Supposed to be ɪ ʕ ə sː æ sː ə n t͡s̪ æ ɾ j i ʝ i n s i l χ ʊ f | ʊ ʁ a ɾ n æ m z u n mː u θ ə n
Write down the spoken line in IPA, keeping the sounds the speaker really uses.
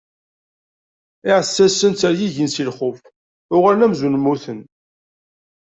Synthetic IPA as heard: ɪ ʕ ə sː æ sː ə n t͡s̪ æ ɾ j i ʝ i n s i l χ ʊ f | ʊ ʁ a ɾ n æ m z u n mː u θ ə n